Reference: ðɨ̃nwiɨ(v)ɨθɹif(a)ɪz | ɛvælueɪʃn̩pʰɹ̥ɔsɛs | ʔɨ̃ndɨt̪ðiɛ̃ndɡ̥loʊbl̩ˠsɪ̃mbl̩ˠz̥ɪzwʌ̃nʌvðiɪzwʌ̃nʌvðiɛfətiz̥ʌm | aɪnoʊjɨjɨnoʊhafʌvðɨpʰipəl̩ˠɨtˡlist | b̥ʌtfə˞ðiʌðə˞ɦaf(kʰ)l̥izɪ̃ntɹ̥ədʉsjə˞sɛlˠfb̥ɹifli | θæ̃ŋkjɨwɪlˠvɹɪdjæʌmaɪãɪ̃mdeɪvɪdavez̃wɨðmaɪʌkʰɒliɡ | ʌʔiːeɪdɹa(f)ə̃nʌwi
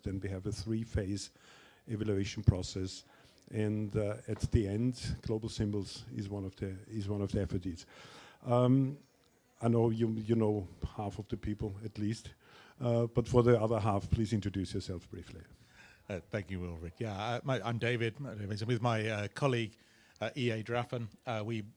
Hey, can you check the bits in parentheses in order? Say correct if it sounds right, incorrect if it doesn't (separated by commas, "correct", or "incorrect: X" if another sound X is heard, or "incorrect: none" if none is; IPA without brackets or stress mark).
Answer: correct, incorrect: e, incorrect: pʰ, correct